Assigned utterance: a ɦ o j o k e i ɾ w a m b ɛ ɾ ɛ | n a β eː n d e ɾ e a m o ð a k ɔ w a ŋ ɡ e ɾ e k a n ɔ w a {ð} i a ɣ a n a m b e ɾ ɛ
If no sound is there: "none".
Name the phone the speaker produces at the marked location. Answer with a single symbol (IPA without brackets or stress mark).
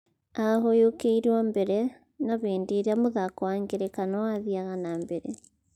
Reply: ð